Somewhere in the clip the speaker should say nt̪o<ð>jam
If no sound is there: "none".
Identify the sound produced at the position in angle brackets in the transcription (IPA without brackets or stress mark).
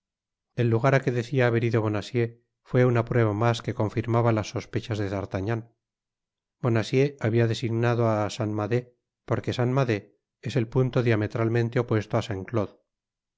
ð